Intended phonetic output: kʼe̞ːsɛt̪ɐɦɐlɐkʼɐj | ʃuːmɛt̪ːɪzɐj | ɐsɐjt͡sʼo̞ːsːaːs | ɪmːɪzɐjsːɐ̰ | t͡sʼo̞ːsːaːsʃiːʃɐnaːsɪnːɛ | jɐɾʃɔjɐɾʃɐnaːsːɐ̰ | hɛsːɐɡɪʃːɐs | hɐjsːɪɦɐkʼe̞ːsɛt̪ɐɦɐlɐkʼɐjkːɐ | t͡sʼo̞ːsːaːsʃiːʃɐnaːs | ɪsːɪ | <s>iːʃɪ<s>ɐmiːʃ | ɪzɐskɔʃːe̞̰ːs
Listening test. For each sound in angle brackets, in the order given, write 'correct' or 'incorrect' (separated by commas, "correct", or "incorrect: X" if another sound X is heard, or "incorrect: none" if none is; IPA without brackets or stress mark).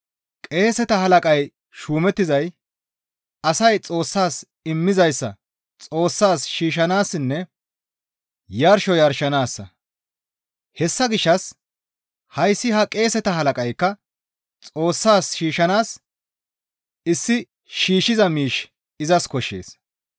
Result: incorrect: ʃ, incorrect: z